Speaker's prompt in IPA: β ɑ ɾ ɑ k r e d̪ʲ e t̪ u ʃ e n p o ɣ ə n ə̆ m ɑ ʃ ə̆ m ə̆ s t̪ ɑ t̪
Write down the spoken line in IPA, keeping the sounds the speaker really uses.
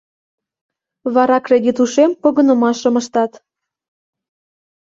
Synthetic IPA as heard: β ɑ ɾ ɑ k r e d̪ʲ i t̪ u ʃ e m p o ɣ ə n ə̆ m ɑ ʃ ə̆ m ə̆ ʃ t̪ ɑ t̪